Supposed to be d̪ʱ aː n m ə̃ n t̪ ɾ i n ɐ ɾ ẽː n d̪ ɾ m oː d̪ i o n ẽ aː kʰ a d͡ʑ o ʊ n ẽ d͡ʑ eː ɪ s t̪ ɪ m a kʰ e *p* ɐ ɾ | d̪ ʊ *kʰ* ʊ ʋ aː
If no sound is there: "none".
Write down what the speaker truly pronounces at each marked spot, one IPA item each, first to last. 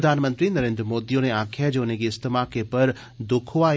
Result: p, kʰ

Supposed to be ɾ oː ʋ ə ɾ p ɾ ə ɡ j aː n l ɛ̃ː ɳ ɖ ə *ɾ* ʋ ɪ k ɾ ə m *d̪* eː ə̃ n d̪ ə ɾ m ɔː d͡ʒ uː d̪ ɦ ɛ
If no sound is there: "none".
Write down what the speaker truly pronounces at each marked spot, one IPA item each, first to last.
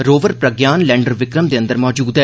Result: ɾ, d̪

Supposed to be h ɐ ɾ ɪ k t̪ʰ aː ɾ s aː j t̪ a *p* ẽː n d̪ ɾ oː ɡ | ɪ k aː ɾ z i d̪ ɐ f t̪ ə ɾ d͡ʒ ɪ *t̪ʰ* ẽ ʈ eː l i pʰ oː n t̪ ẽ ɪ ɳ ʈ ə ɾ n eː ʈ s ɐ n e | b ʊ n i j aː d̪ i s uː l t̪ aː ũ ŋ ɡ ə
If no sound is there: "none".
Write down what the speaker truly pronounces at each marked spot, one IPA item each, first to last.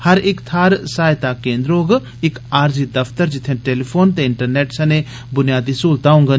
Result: k, t̪ʰ

